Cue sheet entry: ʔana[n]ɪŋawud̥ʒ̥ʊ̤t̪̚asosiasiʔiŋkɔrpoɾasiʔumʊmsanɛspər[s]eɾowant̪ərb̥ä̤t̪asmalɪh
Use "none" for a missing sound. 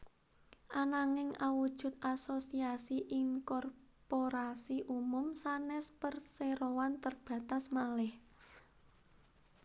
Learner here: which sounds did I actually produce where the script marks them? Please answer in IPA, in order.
ŋ, s

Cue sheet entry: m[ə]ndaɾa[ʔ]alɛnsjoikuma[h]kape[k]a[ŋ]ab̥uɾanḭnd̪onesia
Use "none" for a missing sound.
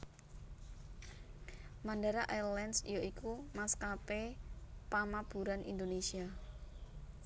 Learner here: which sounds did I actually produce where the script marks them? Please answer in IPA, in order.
a, ʔ, s, p, m

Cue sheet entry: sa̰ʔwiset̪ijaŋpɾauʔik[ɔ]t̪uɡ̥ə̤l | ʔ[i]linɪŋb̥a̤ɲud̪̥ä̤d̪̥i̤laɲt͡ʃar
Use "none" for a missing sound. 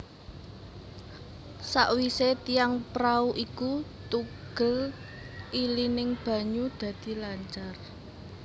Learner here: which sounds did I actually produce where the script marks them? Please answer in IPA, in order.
u, i

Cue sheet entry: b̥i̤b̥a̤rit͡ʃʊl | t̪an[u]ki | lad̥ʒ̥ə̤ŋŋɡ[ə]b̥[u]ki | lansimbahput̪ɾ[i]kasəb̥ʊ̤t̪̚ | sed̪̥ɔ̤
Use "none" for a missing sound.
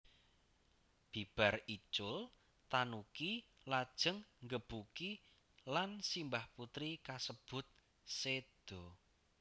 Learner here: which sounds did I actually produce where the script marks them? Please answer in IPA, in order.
u, ə, u, i

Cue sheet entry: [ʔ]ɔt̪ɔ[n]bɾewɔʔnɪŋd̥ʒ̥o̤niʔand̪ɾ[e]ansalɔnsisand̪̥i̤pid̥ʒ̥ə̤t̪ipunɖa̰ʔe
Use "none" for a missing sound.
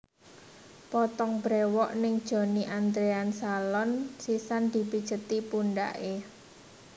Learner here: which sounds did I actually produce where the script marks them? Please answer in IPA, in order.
p, ŋ, e

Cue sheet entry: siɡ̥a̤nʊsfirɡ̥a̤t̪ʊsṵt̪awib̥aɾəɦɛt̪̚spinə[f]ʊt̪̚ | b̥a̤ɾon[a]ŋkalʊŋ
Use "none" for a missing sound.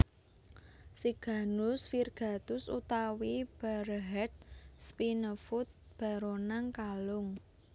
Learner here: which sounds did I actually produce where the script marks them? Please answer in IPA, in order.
f, a

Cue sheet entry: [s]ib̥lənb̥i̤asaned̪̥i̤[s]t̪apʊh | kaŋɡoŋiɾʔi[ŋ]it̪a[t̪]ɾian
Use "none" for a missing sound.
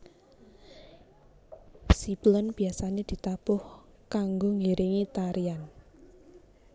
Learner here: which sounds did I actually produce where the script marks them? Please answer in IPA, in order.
s, none, ŋ, none

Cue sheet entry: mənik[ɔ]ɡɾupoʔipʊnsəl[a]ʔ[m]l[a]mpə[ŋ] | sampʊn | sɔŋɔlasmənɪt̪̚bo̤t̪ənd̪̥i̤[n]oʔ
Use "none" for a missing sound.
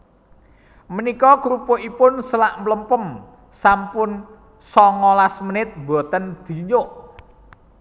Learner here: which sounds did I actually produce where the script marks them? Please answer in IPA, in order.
ɔ, a, m, ə, m, ɲ

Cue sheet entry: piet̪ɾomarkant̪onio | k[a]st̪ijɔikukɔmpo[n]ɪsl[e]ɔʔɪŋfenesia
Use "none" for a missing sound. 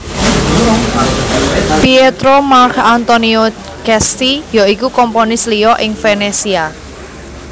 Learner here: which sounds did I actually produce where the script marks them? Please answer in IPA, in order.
ɛ, n, i

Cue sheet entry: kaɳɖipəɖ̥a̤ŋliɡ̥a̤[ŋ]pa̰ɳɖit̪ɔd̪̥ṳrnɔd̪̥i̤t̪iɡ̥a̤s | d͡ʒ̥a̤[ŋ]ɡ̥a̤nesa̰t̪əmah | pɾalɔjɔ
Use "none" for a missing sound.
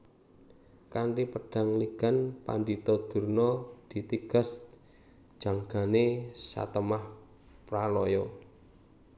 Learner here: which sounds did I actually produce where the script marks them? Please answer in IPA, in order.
n, ŋ

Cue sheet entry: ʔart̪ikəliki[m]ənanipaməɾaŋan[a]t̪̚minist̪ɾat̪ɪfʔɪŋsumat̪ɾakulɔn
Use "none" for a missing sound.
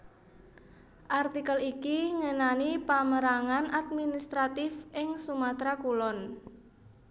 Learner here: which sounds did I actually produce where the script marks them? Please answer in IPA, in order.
ŋ, a

